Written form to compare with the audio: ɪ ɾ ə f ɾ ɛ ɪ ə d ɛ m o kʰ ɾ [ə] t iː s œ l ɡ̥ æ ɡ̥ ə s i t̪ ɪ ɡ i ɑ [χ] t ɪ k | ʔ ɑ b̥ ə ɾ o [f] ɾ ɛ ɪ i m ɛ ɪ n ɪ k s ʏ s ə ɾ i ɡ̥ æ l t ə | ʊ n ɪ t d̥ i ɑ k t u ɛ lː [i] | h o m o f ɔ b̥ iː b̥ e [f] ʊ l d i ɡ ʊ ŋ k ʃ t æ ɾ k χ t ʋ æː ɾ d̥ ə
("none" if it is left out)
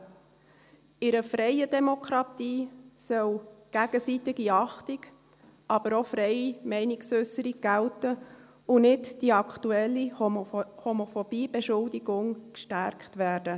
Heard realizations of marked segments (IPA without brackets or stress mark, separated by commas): ɑ, χ, f, i, ʃ